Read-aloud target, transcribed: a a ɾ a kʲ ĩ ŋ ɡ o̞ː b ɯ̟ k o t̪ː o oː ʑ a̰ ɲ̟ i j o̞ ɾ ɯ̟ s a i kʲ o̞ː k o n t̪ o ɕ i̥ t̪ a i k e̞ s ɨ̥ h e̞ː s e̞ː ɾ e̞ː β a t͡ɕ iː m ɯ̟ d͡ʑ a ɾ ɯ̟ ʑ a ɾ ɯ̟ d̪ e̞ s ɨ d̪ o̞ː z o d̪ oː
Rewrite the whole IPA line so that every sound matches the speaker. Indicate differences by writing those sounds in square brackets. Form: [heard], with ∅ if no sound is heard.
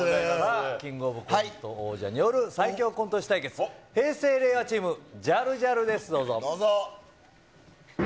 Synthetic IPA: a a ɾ a kʲ ĩ ŋ ɡ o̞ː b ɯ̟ k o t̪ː o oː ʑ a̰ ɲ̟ i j o̞ ɾ ɯ̟ s a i kʲ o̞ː k o n t̪ o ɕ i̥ t̪ a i k e̞ [t͡s] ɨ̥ h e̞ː s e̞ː ɾ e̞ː β a t͡ɕ iː m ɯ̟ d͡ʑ a ɾ ɯ̟ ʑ a ɾ ɯ̟ d̪ e̞ s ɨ d̪ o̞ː z o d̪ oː